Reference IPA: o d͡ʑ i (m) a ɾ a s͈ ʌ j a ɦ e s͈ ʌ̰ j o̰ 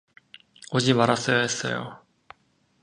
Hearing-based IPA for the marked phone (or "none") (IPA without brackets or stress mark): m